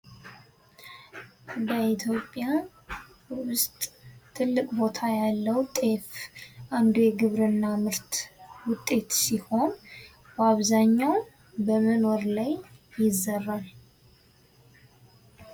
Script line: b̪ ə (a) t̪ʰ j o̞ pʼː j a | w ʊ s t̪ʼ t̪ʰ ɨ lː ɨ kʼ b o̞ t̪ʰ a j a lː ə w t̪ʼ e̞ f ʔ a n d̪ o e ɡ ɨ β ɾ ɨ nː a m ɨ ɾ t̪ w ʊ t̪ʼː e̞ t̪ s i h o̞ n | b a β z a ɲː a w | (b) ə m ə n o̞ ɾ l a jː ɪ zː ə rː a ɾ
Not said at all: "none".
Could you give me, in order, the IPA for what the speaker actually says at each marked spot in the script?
i, b

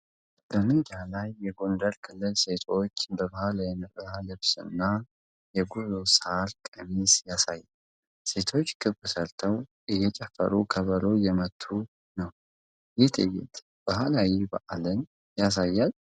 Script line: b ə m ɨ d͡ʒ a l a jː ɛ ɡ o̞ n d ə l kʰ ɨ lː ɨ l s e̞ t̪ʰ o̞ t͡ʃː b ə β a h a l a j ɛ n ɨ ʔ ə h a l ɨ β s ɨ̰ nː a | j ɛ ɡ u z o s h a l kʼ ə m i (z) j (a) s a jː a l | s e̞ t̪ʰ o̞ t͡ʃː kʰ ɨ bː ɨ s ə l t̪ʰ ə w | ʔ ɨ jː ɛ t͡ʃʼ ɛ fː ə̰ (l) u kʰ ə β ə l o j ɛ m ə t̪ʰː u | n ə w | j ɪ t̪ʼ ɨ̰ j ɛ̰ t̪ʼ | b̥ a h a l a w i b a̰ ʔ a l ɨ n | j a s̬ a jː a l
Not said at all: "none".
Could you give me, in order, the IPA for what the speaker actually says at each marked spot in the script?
s, a, ɾ

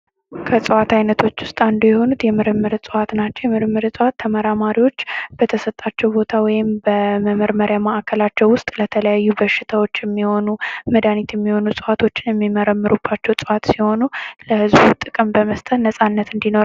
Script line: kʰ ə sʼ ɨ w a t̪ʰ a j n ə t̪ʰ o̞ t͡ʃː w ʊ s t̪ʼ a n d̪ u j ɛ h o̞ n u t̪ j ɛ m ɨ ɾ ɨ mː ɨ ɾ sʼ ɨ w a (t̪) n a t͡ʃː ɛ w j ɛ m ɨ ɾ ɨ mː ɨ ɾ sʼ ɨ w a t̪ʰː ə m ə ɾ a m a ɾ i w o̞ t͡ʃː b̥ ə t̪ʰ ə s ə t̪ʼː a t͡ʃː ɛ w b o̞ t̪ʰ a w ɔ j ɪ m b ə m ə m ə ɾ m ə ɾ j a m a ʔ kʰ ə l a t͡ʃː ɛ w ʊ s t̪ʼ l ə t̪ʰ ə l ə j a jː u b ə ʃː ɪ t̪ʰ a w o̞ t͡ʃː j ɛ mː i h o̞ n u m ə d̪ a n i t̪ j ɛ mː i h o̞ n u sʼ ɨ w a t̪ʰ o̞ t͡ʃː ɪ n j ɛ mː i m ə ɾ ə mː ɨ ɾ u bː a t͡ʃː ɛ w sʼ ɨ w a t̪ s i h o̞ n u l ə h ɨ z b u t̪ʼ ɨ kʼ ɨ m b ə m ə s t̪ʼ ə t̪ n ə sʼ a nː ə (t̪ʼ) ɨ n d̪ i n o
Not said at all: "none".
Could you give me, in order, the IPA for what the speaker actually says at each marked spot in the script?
t̪, t̪

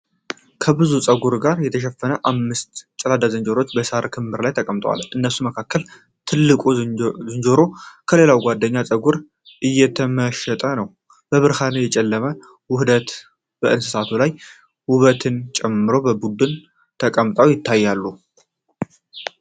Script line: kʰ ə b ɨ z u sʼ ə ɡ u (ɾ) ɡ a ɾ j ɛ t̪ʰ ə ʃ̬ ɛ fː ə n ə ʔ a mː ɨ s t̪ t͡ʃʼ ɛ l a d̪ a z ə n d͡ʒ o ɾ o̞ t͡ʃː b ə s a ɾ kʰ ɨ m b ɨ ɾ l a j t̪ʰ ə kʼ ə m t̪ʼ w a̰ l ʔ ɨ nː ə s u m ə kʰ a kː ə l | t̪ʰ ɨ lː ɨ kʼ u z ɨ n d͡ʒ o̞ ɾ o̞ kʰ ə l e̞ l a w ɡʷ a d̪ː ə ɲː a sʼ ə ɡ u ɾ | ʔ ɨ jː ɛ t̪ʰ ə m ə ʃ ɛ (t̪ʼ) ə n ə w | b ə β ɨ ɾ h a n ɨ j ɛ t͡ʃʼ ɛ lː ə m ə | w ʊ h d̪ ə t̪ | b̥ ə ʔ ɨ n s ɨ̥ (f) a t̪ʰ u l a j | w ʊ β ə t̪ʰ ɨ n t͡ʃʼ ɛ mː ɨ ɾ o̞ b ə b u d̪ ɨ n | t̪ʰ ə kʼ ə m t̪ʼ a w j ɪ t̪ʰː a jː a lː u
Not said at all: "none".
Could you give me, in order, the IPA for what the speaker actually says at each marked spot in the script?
ɾ, t̪ʼ, s

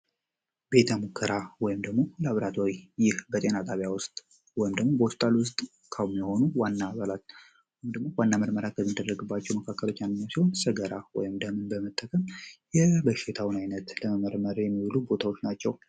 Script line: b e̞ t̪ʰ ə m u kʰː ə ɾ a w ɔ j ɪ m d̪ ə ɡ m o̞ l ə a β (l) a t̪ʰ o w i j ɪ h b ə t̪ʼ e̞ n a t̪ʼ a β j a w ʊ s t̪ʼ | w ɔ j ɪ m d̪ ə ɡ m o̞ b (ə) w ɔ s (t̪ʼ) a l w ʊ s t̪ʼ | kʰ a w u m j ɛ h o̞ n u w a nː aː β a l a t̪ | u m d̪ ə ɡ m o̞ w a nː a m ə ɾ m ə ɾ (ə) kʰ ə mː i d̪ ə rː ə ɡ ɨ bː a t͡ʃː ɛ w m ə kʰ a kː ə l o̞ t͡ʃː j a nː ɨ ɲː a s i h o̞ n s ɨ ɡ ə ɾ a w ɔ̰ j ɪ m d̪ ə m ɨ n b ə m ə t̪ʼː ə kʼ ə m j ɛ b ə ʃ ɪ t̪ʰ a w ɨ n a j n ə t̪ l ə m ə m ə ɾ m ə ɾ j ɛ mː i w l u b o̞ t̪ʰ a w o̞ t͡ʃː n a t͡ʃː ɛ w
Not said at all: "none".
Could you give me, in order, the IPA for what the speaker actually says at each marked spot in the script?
ɾ, ə, t̪ʼ, a

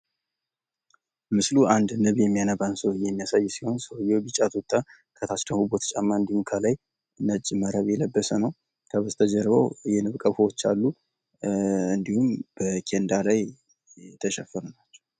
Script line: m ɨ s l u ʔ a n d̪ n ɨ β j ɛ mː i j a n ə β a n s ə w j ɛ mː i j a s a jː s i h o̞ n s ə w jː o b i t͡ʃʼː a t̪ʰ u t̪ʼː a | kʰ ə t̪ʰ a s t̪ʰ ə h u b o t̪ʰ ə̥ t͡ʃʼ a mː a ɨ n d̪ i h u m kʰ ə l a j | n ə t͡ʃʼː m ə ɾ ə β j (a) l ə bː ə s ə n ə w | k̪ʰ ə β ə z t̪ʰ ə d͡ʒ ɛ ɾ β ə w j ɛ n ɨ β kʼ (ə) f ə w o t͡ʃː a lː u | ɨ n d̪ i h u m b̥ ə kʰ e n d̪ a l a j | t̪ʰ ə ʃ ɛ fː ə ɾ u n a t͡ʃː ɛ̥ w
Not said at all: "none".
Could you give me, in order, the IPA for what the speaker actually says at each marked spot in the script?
ɛ, ə

